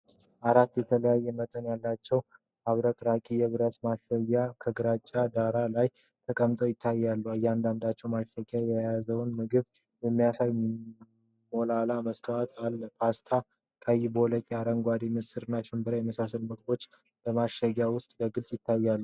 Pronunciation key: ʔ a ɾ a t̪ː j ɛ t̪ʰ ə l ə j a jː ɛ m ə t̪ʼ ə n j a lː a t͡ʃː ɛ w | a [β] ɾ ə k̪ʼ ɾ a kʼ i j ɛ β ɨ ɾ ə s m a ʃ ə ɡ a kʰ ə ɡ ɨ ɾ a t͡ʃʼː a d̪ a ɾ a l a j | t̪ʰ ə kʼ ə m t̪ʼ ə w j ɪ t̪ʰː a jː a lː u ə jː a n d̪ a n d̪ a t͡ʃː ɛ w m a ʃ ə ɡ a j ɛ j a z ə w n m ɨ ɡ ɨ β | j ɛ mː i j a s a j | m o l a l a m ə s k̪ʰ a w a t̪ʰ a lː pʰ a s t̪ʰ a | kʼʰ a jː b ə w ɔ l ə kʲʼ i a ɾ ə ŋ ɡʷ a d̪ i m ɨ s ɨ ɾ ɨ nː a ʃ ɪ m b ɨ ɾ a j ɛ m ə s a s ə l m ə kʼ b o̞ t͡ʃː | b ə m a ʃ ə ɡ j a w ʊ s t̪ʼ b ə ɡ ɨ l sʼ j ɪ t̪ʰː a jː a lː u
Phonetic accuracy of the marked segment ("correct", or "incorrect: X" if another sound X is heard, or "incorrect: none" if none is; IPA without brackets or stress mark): correct